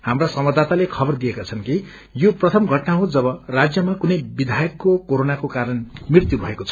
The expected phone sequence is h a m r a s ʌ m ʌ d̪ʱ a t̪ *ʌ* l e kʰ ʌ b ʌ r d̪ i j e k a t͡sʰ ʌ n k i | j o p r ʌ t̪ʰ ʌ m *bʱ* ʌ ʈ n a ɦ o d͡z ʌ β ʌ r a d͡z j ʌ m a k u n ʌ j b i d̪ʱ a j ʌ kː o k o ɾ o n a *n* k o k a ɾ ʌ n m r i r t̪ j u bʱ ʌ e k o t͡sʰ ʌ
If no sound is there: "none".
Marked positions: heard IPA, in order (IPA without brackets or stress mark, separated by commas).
a, ɡʱ, none